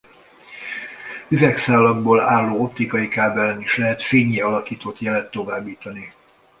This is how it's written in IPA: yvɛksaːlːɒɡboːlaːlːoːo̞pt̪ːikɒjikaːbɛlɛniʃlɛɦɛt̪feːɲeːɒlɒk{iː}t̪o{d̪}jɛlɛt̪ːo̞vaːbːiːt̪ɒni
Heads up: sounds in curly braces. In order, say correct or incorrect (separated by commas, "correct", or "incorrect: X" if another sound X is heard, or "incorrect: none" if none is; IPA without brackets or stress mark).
correct, incorrect: t̪